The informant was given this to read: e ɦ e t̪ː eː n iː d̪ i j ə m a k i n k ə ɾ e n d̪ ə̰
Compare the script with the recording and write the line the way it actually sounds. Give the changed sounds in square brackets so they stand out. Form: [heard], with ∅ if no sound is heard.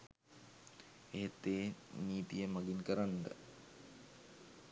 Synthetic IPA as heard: e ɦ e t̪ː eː n iː [t̪] i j ə m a [ɡ] i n k ə ɾ [a] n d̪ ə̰